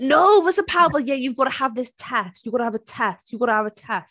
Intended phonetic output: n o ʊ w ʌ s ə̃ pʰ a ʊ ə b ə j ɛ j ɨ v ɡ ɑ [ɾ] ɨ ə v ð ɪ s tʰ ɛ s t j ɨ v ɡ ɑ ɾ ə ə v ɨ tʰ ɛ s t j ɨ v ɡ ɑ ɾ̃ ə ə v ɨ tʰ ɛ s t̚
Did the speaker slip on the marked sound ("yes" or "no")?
no